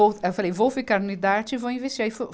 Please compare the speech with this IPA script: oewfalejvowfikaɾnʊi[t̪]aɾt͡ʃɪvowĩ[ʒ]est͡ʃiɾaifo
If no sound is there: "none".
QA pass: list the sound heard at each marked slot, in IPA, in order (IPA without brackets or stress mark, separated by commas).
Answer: d̪, v